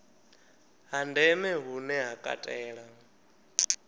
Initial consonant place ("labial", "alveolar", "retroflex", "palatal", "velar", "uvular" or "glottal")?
glottal